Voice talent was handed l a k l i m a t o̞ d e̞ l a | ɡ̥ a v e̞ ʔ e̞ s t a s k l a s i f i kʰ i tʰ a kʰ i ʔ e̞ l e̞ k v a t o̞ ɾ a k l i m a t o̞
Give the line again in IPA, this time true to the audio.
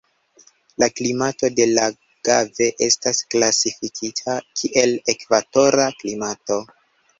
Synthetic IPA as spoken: l a k l i m a t o̞ d e̞ l a | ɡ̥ a v e̞ ʔ e̞ s t a s k l a s i f i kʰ i tʰ a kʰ i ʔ e̞ l e̞ k v a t o̞ ɾ a k l i m a t o̞